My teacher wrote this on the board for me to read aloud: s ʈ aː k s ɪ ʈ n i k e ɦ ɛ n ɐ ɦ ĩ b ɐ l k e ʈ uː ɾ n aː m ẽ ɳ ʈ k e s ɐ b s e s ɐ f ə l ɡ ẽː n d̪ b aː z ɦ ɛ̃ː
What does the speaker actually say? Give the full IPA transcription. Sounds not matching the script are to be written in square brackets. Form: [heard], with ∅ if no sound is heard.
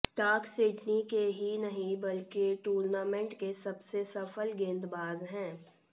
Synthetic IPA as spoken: s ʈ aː k s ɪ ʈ n i k e ɦ [i] n ɐ ɦ ĩ b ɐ l k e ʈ uː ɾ n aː m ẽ ɳ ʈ k e s ɐ b s e s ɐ f ə l ɡ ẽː n d̪ b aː z ɦ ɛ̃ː